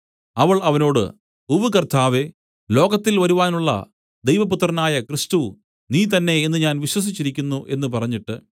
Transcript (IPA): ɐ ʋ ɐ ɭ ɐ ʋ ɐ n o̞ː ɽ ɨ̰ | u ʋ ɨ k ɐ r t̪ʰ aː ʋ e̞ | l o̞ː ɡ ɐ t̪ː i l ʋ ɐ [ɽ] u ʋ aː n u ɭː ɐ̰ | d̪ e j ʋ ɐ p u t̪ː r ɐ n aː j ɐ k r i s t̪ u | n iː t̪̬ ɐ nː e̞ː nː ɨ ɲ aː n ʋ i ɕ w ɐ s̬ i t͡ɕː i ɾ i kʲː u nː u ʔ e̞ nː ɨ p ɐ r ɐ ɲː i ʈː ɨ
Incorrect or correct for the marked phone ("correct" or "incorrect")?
incorrect